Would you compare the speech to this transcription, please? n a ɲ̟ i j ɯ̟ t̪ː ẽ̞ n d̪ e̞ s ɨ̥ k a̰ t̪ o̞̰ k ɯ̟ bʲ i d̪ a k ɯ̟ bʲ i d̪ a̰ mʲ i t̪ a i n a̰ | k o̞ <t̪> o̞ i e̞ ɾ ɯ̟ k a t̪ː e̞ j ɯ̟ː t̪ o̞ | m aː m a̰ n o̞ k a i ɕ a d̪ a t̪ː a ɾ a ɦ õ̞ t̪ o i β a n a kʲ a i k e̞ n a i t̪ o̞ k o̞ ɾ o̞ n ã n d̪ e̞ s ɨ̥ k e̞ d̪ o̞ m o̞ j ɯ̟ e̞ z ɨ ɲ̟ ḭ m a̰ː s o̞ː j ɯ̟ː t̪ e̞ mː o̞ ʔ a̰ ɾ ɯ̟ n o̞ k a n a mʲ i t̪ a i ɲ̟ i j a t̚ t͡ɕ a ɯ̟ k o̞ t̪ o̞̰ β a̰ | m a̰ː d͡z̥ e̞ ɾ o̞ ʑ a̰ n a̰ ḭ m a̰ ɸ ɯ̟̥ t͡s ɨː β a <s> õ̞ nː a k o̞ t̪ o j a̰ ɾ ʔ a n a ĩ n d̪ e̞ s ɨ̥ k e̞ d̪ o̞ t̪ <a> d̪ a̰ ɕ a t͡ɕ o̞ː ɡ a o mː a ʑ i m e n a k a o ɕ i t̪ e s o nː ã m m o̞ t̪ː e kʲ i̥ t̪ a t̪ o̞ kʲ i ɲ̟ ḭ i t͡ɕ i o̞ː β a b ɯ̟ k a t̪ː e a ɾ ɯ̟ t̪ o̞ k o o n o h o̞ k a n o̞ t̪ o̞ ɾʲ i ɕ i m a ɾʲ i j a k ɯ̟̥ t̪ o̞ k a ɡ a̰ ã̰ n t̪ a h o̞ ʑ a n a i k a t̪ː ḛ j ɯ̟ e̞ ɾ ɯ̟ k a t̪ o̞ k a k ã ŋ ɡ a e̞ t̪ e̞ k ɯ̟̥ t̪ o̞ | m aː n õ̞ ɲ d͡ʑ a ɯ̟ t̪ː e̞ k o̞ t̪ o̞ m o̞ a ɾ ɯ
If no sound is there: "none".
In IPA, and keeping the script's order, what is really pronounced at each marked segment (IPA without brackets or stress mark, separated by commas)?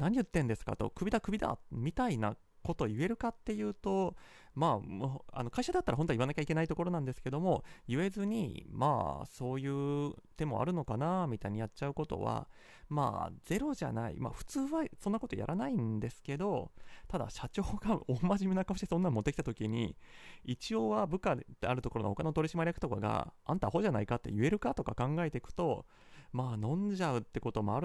t̪, s, a